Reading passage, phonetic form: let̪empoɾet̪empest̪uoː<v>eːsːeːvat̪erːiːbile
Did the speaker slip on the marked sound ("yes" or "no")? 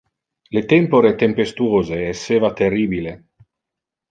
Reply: yes